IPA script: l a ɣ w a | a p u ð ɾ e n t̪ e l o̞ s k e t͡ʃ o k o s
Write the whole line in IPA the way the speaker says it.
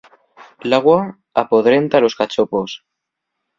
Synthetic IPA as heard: l a ɣ w a | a p o ð ɾ e n t̪ a l o̞ s k a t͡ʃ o p o s

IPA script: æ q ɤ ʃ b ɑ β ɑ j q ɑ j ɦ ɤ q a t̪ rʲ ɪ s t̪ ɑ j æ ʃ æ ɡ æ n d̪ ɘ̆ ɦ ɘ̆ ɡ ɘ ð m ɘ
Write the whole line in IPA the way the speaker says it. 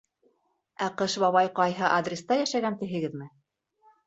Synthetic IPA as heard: æ q ɤ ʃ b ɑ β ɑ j q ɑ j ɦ ɤ ʔ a d̪ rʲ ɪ s t̪ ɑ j æ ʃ æ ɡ æ n t̪ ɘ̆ ɦ ɘ̆ ɡ ɘ ð m ɘ

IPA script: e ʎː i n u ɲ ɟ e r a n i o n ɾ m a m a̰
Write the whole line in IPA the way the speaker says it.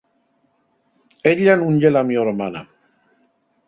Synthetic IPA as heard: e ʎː a n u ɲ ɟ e l a m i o ɾ m a n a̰

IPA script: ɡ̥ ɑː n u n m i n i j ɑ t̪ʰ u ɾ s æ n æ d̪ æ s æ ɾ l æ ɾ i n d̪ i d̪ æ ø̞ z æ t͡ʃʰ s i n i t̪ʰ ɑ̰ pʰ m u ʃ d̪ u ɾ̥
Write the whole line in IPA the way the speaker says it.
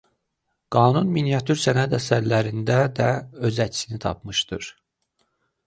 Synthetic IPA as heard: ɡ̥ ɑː n u n m i n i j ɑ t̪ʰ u ɾ s æ n æ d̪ æ s æ ɾ l æ ɾ i n d̪ æ d̪ æ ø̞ z æ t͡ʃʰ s i n i t̪ʰ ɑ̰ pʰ m ɯ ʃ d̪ ɯ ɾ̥

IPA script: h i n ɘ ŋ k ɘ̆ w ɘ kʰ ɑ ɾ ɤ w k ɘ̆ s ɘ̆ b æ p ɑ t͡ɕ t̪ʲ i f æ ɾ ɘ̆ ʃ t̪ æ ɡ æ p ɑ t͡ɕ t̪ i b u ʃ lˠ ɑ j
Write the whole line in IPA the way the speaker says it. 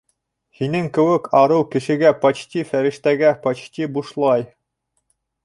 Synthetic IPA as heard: h i n ɘ ŋ k ɘ̆ w ɘ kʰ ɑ ɾ ɤ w k ɘ̆ ʃ ɘ̆ ɡ æ p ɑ t͡ɕ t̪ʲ i f æ ɾ ɘ̆ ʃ t̪ æ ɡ æ p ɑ t͡ɕ t̪ i b u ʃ lˠ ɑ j

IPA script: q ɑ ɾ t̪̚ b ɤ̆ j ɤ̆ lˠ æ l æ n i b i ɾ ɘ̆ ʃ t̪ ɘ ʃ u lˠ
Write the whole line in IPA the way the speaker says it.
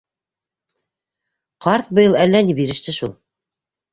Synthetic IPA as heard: q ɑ ɾ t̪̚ b ɤ̆ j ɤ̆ lˠ æ lː æ n i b i ɾ ɘ̆ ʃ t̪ ɘ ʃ u lˠ

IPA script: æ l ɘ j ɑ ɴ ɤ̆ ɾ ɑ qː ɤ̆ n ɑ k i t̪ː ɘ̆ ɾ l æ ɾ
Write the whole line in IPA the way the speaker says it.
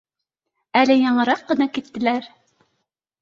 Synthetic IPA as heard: æ l ɘ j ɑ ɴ ɤ̆ ɾ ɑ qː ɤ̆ n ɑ k i t̪ː ɘ̆ l æ ɾ

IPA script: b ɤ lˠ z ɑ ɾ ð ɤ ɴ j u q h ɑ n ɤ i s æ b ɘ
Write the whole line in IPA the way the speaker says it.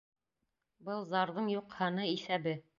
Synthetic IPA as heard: b ɤ lˠ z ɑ ɾ ð ɤ ɴ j u q h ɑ n ɤ i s æ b ɘ

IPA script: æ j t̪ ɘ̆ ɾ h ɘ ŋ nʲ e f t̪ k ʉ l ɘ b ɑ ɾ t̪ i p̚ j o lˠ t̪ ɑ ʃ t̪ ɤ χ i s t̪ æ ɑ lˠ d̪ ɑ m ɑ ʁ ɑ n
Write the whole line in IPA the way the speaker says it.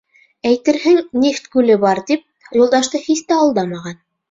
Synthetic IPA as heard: æ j t̪ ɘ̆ ɾ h ɘ ŋ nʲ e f t̪ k ʉ l ɘ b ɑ ɾ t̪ i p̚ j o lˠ d̪ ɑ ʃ t̪ ɤ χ i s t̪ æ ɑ lˠ d̪ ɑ m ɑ ʁ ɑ n

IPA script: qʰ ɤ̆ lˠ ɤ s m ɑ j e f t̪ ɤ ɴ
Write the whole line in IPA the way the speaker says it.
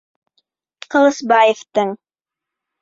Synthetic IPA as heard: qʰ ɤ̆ lˠ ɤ s b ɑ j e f t̪ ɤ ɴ

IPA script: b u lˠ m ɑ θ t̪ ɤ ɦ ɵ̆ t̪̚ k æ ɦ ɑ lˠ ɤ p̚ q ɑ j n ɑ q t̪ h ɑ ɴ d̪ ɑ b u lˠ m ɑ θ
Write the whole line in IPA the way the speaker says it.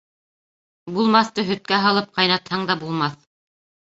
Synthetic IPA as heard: b u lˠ m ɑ θ t̪ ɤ ɦ ɵ̆ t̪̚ k æ ɦ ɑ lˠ ɤ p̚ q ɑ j n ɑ t̪ h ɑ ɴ d̪ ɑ b u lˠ m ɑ θ

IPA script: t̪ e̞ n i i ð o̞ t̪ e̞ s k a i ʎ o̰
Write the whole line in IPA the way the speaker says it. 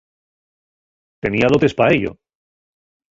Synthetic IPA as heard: t̪ e̞ n i a ð o̞ t̪ e̞ s p a e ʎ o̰

